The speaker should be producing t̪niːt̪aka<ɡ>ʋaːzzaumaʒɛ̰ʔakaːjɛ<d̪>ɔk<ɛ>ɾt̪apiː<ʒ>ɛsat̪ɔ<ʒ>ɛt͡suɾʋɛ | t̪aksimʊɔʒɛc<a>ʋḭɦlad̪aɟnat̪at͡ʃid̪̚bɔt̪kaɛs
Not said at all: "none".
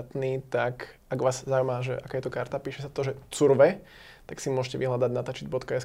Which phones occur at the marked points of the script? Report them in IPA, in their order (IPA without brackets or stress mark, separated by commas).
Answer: ɡ, t̪, a, ʃ, ʒ, ɛ